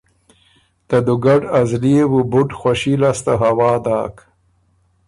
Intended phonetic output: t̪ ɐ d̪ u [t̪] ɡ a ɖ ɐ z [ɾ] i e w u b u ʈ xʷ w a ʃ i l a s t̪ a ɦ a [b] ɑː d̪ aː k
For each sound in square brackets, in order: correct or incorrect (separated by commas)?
incorrect, incorrect, incorrect